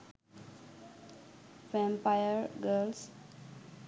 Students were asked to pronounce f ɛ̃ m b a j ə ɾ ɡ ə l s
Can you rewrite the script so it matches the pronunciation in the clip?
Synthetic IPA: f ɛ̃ m p a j ə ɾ ɡ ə l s